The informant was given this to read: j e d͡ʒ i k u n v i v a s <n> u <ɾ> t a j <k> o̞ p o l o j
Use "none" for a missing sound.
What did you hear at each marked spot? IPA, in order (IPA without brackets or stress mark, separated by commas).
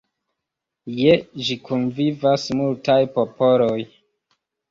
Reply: m, l, p